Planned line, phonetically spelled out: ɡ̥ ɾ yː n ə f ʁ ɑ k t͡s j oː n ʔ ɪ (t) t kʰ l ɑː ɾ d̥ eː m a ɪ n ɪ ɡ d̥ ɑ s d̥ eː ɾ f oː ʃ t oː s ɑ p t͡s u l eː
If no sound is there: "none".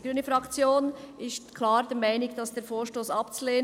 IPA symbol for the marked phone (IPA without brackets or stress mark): s